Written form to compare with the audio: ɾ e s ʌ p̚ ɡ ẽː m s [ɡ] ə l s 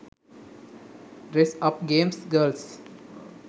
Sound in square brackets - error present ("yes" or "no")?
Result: no